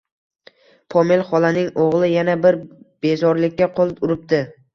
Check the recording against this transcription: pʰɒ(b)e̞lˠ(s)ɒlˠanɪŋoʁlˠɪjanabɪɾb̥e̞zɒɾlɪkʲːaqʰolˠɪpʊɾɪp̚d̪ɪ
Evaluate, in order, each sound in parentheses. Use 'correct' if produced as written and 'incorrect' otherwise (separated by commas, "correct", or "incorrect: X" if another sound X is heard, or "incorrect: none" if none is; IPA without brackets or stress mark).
incorrect: m, incorrect: χ